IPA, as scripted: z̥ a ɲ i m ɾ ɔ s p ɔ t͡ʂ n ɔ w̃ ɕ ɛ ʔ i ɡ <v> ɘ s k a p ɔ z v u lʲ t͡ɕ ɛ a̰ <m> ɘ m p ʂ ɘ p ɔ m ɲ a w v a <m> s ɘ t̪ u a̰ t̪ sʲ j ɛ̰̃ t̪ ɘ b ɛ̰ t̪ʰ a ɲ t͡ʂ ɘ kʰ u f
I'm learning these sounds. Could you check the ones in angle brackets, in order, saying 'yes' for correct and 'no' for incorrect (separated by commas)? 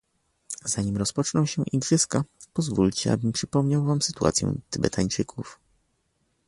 no, no, yes